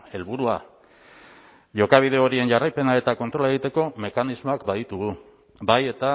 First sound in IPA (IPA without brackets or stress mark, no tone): e̞